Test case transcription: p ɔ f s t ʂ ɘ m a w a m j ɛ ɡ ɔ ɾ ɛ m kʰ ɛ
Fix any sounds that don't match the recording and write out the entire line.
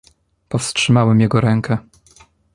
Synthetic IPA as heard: p ɔ f s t ʂ ɘ m a w ɛ m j ɛ ɡ ɔ ɾ ɛ ŋ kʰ ɛ